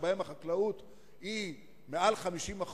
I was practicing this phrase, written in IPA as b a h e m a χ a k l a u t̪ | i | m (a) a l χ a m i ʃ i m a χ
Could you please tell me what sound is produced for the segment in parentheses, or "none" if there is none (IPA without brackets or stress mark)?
e